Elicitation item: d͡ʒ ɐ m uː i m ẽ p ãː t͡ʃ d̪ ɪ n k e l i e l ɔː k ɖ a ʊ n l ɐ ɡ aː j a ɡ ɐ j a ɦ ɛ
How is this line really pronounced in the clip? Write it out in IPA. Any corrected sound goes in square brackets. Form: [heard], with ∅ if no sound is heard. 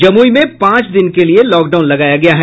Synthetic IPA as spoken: d͡ʒ ɐ m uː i m ẽ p ãː t͡ʃ d̪ ɪ n k e l i e l ɔː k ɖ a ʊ n l ɐ ɡ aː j a ɡ ɐ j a ɦ ɛ